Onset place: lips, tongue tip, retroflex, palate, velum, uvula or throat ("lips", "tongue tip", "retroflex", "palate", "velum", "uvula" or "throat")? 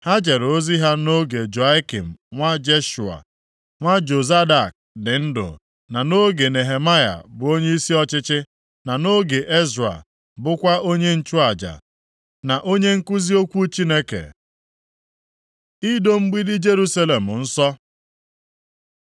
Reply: throat